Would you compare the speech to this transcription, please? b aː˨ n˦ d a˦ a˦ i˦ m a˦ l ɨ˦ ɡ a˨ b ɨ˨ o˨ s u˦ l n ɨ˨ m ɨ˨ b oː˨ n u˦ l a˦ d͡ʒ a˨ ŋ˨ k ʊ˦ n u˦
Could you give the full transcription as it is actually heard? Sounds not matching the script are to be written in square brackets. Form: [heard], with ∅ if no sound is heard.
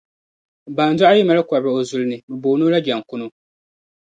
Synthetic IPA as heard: b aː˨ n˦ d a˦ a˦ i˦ m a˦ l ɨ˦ [k] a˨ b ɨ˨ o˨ [z] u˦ l n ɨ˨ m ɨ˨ b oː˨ n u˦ l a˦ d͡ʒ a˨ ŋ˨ k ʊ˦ n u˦